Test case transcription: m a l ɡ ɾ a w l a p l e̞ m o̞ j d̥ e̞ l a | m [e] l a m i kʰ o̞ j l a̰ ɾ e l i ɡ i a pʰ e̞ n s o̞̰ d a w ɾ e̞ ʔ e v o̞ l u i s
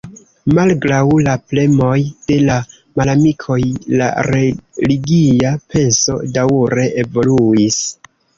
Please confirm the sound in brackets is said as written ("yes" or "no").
no